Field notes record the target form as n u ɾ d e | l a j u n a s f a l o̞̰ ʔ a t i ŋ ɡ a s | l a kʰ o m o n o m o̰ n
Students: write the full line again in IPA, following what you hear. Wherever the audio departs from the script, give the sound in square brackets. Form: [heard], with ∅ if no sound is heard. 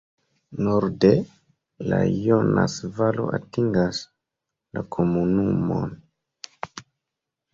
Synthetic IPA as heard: n [o] ɾ d e | l a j [o] n a s [v] a l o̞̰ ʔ a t i ŋ ɡ a s | l a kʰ o m [u] n [u] m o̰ n